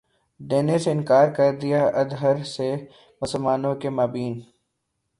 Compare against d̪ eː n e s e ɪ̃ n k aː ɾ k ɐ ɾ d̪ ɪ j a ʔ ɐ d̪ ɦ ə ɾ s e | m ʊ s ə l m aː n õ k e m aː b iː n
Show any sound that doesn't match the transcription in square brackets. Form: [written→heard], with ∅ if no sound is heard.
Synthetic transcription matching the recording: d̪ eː n e s e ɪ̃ n k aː ɾ k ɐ ɾ d̪ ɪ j a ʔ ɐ d̪ ɦ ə ɾ s e | m ʊ s ə l m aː n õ k e m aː b iː n